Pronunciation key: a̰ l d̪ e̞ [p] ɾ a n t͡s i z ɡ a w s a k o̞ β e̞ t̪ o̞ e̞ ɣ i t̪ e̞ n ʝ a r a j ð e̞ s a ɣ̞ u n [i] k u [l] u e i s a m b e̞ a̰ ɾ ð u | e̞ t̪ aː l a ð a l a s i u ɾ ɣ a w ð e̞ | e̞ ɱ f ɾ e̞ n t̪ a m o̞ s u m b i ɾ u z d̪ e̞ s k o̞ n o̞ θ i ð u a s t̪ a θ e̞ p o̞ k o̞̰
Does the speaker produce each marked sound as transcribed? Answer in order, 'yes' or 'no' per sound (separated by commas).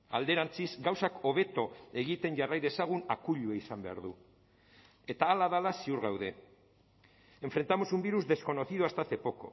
no, no, no